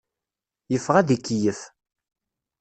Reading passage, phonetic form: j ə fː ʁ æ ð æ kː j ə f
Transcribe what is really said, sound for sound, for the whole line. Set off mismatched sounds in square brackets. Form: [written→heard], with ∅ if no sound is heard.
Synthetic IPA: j ə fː ʁ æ ð [æ→i] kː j ə f